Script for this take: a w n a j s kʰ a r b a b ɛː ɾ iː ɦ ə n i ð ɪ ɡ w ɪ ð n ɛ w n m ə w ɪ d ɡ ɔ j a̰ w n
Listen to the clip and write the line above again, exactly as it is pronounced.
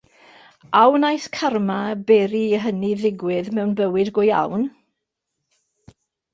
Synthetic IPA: a w n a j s kʰ a r m a b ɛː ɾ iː ɦ ə n i ð ɪ ɡ w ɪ ð m ɛ w n b ə w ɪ d ɡ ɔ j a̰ w n